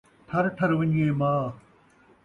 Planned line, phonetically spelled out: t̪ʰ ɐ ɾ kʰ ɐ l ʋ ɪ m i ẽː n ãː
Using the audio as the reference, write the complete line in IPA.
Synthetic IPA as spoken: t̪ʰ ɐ ɾ ʈʰ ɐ ɾ ʋ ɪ ɲ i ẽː m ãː

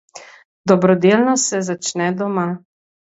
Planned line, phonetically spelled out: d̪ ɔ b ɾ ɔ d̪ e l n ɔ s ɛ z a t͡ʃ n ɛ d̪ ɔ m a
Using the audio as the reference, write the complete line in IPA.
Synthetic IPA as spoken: d̪ ɔ b ɾ ɔ d̪ e l n ɔ s ɛ z a t͡ʃ n ɛ d̪ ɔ m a

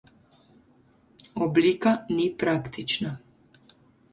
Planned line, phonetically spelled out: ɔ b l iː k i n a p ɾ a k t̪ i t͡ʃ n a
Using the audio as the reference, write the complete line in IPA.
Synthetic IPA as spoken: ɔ b l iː k a n i p ɾ a k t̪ i t͡ʃ n a

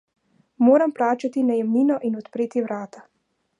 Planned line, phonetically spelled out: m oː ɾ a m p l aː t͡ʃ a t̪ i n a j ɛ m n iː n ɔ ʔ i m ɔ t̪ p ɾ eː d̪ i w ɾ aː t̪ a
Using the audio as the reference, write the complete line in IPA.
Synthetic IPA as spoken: m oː ɾ a m p l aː t͡ʃ a t̪ i n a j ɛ m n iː n ɔ ʔ i n ɔ t̪ p ɾ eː t̪ i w ɾ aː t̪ a

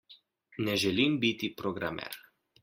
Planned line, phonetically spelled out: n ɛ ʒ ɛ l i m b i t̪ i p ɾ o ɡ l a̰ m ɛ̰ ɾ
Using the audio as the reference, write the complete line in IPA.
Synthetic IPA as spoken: n ɛ ʒ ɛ l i m b i t̪ i p ɾ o ɡ ɾ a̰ m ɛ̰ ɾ

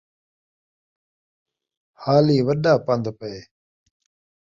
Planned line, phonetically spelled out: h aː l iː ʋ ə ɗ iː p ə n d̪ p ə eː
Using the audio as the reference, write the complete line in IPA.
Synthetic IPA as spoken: h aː l iː ʋ ə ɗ aː p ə n d̪ p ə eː

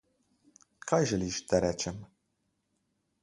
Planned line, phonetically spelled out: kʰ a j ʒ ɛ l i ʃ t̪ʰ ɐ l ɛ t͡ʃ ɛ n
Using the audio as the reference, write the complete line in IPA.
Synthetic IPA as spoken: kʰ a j ʒ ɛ l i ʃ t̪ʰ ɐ ɾ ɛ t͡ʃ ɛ m

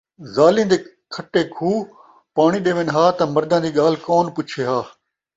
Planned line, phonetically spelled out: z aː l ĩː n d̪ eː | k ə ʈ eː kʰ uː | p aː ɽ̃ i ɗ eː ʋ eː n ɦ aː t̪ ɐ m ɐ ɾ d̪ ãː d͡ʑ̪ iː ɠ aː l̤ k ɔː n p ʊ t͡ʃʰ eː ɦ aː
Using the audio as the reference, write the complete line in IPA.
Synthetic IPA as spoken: z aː l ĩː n d̪ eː | kʰ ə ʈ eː kʰ uː | p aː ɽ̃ i ɗ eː ʋ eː n ɦ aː t̪ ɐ m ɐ ɾ d̪ ãː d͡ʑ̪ iː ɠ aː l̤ k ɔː n p ʊ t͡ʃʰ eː ɦ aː

